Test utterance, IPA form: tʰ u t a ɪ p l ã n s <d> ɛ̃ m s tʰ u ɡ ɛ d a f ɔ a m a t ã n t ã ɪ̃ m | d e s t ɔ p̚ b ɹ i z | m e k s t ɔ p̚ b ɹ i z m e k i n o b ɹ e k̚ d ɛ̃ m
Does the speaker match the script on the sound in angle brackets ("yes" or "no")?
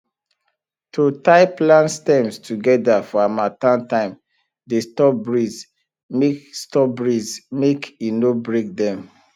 no